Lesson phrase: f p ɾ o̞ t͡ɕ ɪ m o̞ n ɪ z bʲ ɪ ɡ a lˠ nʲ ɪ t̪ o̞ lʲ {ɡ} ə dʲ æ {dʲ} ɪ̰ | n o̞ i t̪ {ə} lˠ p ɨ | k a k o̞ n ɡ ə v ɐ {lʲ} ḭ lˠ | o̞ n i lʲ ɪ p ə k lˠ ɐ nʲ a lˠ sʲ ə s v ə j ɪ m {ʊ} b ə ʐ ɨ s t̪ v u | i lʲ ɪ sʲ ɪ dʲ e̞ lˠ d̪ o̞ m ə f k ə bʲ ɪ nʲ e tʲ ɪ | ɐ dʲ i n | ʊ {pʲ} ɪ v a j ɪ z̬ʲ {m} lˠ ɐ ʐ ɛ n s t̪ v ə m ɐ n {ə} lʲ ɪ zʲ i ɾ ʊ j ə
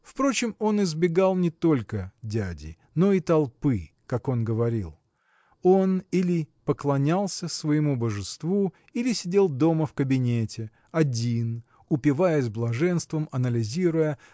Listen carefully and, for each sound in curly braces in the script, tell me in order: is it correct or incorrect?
incorrect: k, correct, incorrect: ɐ, incorrect: ɾʲ, incorrect: u, correct, incorrect: b, correct

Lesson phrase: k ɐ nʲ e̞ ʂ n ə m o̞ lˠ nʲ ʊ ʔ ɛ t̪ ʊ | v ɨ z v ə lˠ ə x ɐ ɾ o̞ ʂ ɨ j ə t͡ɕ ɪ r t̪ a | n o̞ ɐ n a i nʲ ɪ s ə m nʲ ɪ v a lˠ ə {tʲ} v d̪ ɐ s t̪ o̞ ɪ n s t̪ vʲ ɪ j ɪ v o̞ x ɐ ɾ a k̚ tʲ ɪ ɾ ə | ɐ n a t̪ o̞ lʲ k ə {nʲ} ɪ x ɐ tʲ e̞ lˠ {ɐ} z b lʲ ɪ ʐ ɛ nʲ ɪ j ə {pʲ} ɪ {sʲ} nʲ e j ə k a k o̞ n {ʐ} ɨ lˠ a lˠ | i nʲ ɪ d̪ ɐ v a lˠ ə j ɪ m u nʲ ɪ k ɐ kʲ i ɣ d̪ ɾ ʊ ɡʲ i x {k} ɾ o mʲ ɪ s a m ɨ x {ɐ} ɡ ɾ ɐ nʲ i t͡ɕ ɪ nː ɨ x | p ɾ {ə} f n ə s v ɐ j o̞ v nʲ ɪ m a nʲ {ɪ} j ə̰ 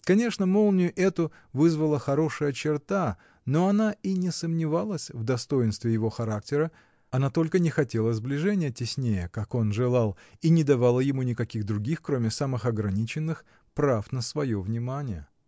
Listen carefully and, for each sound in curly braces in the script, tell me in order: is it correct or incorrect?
incorrect: sʲ, correct, incorrect: ə, incorrect: tʲ, correct, correct, correct, correct, incorrect: a, correct

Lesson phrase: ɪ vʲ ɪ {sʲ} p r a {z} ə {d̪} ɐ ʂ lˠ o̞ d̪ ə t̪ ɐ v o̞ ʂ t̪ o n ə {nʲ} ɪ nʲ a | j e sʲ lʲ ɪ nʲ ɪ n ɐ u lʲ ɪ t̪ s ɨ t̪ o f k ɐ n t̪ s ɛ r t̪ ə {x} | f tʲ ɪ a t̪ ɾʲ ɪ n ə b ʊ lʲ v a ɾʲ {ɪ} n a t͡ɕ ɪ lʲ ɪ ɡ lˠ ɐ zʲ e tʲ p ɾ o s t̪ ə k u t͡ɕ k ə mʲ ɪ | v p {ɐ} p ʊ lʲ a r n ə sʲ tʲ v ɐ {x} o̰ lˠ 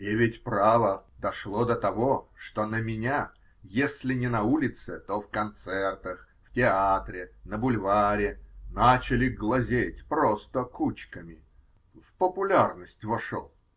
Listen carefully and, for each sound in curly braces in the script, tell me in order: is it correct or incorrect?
incorrect: tʲ, incorrect: v, correct, incorrect: mʲ, correct, correct, incorrect: ə, incorrect: ʂ

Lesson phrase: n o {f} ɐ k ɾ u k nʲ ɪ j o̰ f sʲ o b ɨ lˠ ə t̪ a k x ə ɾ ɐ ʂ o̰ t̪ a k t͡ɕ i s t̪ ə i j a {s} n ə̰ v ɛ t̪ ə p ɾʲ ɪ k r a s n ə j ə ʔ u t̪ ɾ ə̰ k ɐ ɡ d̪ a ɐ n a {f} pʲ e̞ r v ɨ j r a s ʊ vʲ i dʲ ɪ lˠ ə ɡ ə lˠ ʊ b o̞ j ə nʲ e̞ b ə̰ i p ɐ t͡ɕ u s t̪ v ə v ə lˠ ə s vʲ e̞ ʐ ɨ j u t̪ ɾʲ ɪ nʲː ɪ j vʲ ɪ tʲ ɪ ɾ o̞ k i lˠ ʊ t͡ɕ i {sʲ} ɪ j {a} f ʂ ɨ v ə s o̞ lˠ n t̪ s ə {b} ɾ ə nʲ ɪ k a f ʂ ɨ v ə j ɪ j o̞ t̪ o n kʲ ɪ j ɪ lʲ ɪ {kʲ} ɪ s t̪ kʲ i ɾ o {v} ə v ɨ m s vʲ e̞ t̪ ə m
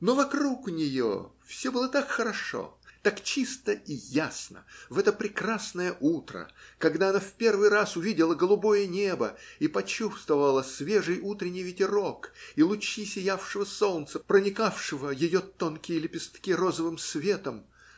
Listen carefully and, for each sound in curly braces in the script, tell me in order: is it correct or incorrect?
incorrect: v, correct, correct, correct, correct, incorrect: p, incorrect: pʲ, incorrect: z

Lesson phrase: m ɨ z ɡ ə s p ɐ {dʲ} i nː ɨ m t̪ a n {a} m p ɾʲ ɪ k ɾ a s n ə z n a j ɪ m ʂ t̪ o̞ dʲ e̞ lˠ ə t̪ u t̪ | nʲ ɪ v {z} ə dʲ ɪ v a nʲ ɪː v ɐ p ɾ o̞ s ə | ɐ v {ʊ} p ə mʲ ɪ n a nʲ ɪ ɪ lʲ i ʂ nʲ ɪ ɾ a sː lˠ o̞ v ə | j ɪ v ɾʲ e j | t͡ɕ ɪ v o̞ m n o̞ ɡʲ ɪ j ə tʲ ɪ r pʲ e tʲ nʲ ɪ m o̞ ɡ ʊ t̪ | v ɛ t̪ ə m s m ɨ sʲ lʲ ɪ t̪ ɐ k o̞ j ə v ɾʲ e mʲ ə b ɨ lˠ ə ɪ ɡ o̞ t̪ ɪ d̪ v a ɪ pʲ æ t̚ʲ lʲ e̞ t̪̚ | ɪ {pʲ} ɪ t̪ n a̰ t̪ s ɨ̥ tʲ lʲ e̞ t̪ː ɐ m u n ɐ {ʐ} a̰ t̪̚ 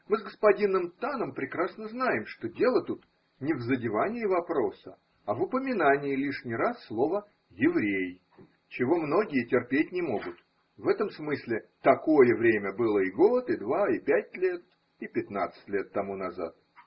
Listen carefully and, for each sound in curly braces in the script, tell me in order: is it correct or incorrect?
correct, incorrect: ə, correct, correct, correct, incorrect: z

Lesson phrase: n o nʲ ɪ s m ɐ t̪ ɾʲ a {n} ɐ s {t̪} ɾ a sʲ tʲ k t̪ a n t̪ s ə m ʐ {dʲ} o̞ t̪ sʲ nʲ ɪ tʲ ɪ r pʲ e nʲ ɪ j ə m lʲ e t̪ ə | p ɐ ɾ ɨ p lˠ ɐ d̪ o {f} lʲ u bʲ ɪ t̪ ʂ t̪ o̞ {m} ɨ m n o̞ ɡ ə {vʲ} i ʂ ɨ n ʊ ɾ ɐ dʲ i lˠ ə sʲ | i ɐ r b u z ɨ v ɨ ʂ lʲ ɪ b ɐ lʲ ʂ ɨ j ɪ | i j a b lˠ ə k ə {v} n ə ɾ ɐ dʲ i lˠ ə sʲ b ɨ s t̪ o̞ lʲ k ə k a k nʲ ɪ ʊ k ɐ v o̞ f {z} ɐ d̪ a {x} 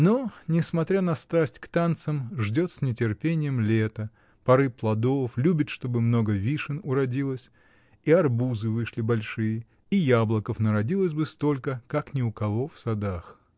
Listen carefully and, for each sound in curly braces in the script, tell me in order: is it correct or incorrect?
correct, correct, correct, correct, incorrect: b, correct, incorrect: f, incorrect: s, correct

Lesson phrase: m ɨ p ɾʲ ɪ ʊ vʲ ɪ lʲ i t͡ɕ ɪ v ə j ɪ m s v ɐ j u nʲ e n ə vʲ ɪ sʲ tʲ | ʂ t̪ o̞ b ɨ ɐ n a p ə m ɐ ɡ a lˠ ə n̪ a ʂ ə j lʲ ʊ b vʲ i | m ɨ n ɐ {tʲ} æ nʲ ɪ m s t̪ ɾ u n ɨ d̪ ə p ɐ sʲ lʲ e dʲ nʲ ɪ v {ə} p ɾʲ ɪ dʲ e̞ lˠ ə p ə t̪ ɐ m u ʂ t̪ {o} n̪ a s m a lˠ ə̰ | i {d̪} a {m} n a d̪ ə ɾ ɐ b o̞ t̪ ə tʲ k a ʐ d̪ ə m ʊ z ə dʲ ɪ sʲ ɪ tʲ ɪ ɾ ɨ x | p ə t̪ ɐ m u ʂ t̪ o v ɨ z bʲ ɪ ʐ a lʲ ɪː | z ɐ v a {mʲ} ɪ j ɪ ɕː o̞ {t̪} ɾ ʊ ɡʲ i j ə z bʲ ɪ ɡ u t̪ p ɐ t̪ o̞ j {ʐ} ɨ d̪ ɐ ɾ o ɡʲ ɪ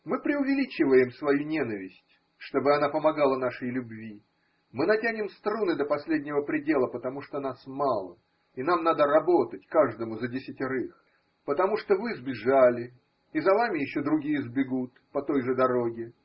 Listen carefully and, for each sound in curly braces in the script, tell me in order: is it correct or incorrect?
correct, correct, correct, incorrect: n̪, correct, correct, incorrect: d̪, correct

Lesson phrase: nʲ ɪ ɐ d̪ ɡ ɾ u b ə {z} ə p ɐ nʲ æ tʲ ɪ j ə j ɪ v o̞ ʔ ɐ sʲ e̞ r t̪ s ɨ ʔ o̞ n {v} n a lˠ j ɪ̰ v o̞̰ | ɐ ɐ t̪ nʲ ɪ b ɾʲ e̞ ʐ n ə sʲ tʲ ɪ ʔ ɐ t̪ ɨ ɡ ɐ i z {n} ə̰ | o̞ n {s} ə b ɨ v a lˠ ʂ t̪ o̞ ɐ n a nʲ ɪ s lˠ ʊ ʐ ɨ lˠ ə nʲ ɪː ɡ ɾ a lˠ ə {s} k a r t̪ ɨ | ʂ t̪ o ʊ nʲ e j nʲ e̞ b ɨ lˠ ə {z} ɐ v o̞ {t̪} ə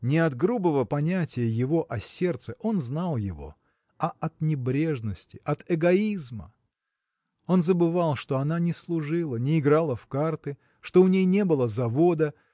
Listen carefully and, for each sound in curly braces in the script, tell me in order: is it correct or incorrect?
incorrect: v, incorrect: z, incorrect: m, incorrect: z, incorrect: f, correct, incorrect: d̪

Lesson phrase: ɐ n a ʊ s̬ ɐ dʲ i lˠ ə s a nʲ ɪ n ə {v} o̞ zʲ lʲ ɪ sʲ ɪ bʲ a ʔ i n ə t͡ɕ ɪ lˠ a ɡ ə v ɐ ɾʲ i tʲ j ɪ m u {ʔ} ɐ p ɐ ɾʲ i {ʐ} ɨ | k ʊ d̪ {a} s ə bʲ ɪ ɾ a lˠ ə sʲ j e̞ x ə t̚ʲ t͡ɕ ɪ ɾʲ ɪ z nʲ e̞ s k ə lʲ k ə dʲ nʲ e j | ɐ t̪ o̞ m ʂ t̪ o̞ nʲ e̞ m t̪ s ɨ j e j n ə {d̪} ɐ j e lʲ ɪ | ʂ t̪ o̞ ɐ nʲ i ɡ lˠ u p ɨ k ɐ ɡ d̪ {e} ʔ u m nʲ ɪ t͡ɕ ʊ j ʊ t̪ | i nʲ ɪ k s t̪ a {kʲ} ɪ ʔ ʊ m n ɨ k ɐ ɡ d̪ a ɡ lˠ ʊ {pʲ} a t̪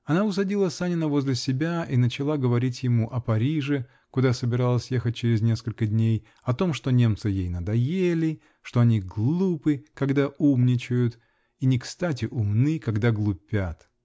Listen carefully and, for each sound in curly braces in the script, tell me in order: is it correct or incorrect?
correct, correct, correct, correct, correct, incorrect: a, incorrect: tʲ, correct

